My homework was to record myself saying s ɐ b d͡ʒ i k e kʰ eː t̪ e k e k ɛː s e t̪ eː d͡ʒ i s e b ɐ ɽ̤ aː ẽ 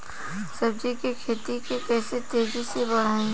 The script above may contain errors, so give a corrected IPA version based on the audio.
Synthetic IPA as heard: s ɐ b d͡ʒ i k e kʰ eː t̪ i k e k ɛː s e t̪ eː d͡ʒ i s e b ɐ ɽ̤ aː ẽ